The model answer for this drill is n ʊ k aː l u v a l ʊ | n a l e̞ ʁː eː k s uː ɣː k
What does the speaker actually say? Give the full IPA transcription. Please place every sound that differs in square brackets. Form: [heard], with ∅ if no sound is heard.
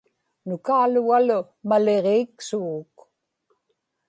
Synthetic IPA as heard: n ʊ k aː l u [ɣ] a l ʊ | [m] a l e̞ [ʁ] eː k s [u] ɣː k